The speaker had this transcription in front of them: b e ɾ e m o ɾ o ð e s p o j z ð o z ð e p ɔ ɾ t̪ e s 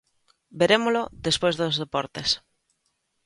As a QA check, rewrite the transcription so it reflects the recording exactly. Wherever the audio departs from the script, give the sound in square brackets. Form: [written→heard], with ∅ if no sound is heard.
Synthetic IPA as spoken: b e ɾ e m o [ɾ→l] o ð e s p o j z ð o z ð e p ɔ ɾ t̪ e s